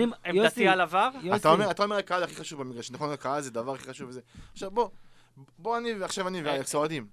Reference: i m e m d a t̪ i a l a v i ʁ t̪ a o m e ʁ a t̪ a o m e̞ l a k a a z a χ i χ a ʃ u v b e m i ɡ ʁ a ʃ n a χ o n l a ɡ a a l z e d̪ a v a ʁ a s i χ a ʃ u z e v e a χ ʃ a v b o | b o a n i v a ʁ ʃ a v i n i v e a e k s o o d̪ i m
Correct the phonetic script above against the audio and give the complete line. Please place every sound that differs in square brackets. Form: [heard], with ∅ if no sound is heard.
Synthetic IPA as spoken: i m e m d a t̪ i a l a v [a] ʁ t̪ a o m e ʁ a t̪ a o m e̞ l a k a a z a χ i χ a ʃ u v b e m i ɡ ʁ a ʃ n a χ o n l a [k] a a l z e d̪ a v a ʁ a [χ] i χ a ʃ u [v] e [z] e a χ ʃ a v b o | b o a n i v a [χ] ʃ a v [a] n i v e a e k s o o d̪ i m